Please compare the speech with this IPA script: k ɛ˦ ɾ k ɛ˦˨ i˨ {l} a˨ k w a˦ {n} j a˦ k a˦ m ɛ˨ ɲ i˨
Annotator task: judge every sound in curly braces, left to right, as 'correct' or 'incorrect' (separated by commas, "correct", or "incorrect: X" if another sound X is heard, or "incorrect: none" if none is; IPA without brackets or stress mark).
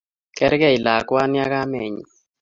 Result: correct, correct